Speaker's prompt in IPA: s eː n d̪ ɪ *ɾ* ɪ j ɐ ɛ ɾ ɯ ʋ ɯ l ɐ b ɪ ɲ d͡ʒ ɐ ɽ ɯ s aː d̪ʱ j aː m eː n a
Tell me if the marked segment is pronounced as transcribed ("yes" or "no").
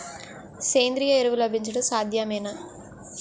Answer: yes